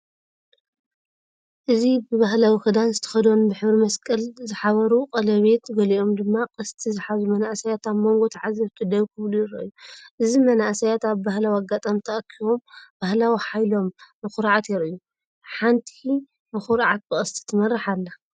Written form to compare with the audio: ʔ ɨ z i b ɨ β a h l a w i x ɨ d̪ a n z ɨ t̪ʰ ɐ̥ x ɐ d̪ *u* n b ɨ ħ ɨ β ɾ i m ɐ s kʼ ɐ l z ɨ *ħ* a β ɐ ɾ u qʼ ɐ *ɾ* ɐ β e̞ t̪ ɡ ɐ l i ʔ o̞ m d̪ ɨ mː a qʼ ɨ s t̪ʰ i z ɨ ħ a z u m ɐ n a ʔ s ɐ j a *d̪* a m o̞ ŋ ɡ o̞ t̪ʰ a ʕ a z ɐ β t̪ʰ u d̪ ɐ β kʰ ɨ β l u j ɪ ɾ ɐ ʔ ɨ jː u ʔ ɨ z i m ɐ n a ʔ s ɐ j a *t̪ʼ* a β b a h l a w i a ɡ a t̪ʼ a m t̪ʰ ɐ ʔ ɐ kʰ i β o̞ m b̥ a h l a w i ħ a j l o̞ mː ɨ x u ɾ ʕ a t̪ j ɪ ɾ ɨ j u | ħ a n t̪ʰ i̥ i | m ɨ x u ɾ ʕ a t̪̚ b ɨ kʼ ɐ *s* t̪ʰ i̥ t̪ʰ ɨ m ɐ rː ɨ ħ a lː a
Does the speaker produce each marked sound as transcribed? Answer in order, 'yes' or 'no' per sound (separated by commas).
no, yes, no, no, no, yes